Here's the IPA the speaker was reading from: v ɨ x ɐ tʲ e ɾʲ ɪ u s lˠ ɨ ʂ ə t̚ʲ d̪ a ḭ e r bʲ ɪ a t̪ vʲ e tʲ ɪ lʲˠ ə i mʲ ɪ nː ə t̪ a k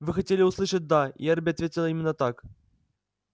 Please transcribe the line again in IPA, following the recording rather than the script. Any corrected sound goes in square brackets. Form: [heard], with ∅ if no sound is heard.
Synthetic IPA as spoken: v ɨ x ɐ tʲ e [lʲ] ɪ u s lˠ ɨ ʂ ə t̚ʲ d̪ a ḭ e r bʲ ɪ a t̪ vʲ e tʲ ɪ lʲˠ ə i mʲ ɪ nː ə t̪ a k